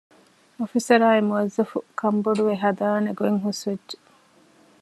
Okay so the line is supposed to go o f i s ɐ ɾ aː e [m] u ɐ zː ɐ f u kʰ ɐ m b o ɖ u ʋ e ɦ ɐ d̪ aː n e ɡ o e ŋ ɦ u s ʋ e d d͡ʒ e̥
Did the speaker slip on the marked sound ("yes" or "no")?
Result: no